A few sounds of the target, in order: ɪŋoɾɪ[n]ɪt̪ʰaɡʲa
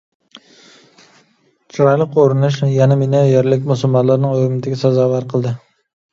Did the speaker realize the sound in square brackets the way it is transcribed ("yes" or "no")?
no